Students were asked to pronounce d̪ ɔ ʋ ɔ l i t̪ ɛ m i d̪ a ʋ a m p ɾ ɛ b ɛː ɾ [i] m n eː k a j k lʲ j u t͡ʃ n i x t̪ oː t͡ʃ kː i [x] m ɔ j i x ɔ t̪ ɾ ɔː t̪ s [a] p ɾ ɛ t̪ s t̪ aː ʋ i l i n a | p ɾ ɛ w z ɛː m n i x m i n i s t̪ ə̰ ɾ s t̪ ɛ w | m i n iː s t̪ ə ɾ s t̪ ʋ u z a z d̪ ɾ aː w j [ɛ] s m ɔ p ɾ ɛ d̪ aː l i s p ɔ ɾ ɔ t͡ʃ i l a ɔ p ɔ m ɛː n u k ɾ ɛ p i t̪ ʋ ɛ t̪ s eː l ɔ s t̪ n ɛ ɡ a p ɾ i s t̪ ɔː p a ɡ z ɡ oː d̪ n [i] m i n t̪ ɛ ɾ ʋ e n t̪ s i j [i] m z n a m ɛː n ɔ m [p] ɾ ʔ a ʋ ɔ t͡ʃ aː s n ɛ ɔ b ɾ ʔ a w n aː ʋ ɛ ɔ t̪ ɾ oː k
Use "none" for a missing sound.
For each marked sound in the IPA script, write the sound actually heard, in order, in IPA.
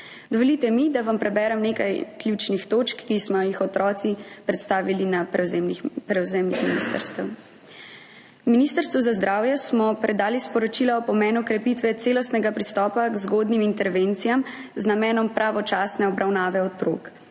ɛ, s, i, ɛ, i, a, p

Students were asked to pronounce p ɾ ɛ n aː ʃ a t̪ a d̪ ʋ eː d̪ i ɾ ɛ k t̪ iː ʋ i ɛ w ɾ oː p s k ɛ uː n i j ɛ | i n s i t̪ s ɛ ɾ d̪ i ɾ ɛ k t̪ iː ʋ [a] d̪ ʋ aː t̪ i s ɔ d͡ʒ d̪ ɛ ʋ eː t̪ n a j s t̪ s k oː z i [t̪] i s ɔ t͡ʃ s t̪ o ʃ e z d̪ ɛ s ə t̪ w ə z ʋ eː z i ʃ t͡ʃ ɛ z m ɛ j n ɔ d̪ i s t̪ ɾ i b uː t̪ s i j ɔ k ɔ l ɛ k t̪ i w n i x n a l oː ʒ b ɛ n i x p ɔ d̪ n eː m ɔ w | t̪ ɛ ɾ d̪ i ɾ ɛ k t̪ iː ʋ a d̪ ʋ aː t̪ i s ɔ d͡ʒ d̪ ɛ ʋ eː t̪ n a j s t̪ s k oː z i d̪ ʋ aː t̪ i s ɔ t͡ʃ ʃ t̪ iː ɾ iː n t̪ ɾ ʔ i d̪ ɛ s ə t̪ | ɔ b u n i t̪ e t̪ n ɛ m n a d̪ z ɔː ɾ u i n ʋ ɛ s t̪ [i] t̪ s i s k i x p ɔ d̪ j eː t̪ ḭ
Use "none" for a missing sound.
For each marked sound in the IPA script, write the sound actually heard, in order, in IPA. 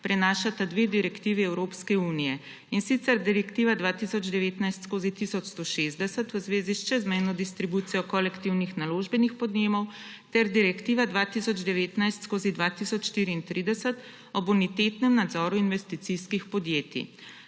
a, t̪, i

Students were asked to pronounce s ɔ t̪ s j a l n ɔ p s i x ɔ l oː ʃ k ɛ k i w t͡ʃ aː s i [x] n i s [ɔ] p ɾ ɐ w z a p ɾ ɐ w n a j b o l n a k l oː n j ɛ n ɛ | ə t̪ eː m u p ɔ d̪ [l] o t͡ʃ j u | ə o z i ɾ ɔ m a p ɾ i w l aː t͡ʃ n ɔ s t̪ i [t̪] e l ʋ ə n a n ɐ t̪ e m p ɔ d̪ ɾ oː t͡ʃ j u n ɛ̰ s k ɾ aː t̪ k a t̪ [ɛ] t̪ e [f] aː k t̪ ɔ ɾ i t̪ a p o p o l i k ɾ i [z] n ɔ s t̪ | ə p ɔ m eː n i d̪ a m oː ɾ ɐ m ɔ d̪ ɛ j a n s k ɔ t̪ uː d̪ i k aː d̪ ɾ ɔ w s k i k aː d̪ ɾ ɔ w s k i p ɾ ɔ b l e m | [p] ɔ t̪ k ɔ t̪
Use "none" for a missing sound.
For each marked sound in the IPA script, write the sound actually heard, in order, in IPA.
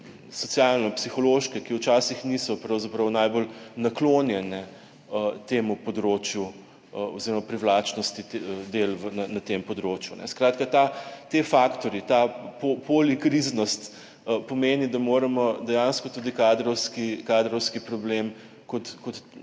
x, ɔ, ɾ, d̪, a, f, z, k

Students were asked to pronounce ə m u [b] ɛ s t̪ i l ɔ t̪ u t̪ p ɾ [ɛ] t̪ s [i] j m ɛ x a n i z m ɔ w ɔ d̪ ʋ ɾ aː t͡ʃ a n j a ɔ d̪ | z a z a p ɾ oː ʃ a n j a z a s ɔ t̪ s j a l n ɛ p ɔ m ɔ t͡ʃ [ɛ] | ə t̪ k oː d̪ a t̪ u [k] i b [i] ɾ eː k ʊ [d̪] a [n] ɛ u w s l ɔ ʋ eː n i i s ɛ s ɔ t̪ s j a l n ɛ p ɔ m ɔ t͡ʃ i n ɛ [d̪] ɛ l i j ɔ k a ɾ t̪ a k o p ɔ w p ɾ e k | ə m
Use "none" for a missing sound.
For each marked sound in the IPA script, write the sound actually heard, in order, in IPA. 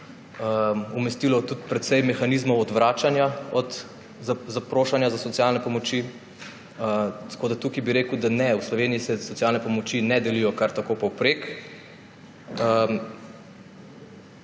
m, ɛ, ɛ, i, k, i, d̪, n, d̪

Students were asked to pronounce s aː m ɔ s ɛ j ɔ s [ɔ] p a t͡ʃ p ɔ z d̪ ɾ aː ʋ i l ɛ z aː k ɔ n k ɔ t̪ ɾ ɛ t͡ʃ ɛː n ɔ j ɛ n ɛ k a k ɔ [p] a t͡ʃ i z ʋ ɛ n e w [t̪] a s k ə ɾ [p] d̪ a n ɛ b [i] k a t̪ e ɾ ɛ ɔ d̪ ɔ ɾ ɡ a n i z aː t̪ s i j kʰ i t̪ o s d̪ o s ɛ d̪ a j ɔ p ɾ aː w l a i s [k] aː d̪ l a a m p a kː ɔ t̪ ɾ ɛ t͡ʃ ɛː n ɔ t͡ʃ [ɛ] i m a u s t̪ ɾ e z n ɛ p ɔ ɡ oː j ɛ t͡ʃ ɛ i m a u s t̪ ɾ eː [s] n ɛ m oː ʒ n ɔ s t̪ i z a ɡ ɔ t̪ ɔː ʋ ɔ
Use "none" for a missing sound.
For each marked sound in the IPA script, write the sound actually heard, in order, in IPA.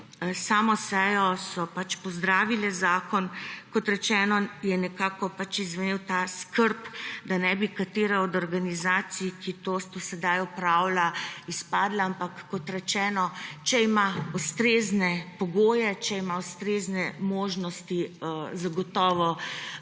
ɔ, p, t̪, p, i, p, ɛ, z

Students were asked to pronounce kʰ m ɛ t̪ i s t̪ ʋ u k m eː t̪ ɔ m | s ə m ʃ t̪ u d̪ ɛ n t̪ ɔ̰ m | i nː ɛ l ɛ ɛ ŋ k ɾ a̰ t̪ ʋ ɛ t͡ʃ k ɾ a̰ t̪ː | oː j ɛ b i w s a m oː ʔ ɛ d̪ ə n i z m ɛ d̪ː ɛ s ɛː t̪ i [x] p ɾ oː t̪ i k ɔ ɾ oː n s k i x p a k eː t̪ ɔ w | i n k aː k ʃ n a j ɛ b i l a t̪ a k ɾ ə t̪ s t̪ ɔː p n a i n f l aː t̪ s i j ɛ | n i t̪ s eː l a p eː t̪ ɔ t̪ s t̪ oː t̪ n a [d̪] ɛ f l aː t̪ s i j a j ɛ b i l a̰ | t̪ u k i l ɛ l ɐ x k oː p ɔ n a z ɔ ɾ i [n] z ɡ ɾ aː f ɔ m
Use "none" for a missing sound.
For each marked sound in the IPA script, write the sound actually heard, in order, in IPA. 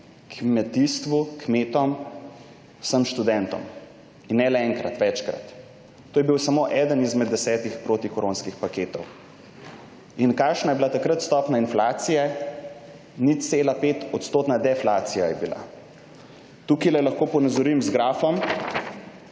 x, d̪, m

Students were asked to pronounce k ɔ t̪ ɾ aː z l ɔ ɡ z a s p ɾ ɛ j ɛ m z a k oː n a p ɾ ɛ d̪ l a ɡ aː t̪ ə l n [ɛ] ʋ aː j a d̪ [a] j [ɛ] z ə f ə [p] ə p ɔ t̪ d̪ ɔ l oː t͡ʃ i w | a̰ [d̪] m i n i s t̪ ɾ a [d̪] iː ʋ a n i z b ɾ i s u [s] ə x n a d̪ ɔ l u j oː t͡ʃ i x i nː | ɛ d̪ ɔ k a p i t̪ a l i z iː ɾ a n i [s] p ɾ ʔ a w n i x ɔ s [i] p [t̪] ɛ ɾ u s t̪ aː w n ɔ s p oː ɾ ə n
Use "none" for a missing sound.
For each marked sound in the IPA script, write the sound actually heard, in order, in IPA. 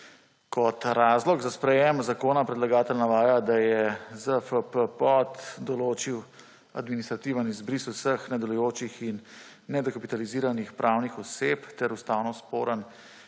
a, a, ɛ, p, d̪, t̪, s, x, e, t̪

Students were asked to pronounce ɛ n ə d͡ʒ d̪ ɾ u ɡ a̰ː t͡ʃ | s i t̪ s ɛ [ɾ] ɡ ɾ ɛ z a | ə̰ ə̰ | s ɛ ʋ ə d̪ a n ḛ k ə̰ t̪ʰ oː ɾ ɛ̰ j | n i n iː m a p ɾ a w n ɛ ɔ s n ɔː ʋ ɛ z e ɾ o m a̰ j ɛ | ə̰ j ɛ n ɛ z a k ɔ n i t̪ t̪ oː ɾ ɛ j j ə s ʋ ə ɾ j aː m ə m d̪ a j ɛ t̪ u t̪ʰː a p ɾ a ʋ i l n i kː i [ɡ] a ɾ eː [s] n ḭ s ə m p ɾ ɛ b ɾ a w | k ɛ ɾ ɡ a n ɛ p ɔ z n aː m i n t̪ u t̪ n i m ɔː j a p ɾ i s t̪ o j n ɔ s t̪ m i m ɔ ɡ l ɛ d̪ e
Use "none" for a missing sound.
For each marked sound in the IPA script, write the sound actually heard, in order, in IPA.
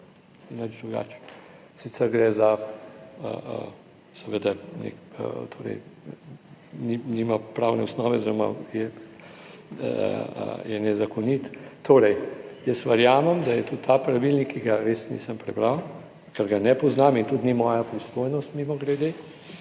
ɾ, ɡ, s

